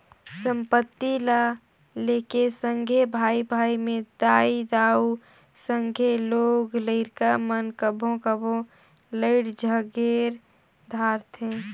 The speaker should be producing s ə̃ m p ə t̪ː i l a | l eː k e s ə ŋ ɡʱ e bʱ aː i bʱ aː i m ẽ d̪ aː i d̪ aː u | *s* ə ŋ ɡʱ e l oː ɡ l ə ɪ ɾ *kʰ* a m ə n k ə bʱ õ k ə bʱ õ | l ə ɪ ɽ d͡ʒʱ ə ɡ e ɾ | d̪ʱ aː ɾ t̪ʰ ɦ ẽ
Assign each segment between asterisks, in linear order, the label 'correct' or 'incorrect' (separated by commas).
correct, incorrect